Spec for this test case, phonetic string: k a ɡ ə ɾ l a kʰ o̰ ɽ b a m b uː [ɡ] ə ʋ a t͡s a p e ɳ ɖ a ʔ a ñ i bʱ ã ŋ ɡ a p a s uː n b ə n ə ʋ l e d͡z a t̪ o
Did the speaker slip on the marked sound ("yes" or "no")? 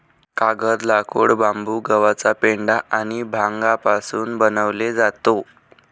no